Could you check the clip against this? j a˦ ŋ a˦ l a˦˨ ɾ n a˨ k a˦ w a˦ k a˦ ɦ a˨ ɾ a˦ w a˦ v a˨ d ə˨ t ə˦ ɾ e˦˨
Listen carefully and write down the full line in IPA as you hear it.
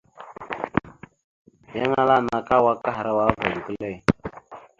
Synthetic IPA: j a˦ ŋ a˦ l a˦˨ n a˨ k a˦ w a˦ k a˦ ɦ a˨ ɾ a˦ w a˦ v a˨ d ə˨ k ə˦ l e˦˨